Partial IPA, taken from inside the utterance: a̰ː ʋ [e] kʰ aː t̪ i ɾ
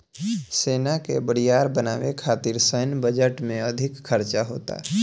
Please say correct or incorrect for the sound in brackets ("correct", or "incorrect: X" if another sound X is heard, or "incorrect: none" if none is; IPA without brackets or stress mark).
correct